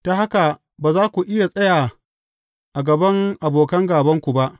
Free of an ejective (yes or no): no